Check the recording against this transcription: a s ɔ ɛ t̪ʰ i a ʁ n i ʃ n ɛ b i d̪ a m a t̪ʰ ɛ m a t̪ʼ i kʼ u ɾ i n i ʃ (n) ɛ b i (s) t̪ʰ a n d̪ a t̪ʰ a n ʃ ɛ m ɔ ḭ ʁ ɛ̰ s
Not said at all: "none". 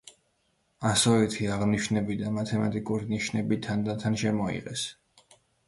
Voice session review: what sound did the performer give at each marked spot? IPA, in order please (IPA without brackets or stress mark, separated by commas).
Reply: n, none